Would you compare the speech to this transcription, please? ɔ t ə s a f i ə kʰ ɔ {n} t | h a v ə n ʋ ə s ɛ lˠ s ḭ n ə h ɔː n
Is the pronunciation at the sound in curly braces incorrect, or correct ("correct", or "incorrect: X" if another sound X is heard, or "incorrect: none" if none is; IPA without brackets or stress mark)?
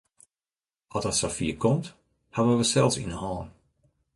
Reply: incorrect: m